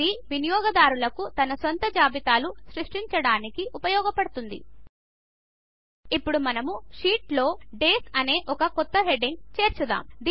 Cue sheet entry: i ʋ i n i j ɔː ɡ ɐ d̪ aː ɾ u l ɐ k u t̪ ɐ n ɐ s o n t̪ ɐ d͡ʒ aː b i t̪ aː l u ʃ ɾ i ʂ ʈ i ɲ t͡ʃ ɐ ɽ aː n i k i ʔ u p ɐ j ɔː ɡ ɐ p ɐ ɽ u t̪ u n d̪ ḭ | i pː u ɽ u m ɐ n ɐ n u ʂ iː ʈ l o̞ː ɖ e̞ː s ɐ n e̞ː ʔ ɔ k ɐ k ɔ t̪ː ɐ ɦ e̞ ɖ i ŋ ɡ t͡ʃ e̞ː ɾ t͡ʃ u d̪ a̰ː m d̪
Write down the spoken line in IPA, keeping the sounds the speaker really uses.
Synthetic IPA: i ʋ i n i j ɔː ɡ ɐ d̪ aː ɾ u l ɐ k u t̪ ɐ n ɐ s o n t̪ ɐ d͡ʒ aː b i t̪ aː l u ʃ ɾ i ʂ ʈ i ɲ t͡ʃ ɐ ɽ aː n i k i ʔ u p ɐ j ɔː ɡ ɐ p ɐ ɽ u t̪ u n d̪ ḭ | i pː u ɽ u m ɐ n ɐ m u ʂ iː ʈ l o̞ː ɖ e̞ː s ɐ n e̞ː ʔ ɔ k ɐ k ɔ t̪ː ɐ ɦ e̞ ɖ i ŋ ɡ t͡ʃ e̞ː ɾ t͡ʃ u d̪ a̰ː m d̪

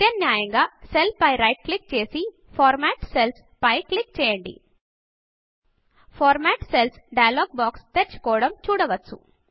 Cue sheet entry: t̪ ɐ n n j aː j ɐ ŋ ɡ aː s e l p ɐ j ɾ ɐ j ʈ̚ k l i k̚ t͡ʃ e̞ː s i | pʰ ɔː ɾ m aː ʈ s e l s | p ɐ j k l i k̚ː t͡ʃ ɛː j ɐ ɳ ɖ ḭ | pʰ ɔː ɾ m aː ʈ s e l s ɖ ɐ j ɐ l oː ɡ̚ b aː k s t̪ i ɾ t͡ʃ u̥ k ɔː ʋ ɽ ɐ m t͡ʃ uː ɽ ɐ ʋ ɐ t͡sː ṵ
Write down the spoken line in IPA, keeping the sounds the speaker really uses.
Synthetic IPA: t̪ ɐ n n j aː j ɐ ŋ ɡ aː s e l p ɐ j ɾ ɐ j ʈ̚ k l i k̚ t͡ʃ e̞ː s i | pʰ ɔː ɾ m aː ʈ s e l s | p ɐ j k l i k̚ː t͡ʃ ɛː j ɐ ɳ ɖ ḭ | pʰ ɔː ɾ m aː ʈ s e l s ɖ ɐ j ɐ l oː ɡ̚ b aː k s t̪ e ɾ t͡ʃ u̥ k ɔː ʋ ɽ ɐ m t͡ʃ uː ɽ ɐ ʋ ɐ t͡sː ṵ

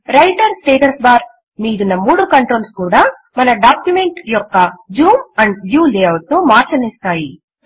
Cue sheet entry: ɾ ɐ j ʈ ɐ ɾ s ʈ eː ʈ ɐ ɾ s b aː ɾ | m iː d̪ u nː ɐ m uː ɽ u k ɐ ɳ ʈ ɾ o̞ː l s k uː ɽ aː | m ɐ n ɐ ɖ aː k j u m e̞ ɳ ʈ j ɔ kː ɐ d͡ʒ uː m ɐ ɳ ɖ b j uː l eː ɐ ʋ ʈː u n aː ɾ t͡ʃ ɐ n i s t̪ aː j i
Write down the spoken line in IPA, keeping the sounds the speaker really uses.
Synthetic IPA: ɾ ɐ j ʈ ɐ ɾ s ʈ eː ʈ ɐ ɾ s b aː ɾ | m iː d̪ u nː ɐ m uː ɽ u k ɐ ɳ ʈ ɾ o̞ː l s k uː ɽ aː | m ɐ n ɐ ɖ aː k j u m e̞ ɳ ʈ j ɔ kː ɐ d͡ʒ uː m ɐ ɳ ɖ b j uː l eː ɐ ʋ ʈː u m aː ɾ t͡ʃ ɐ n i s t̪ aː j i

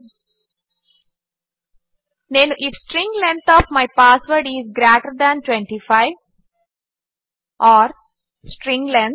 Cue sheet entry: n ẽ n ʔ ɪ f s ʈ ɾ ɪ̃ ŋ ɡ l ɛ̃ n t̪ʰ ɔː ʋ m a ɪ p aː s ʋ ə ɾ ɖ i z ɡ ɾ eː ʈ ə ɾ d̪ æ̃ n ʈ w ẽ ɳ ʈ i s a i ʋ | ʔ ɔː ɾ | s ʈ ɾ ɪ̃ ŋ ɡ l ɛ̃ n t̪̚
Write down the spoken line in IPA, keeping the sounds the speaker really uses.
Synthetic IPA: n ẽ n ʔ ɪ f s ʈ ɾ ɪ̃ ŋ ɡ l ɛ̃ n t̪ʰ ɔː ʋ m a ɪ p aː s ʋ ə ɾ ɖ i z ɡ ɾ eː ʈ ə ɾ d̪ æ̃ n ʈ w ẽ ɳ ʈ i f a ɪ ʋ | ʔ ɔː ɾ | s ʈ ɾ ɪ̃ ŋ ɡ l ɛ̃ n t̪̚

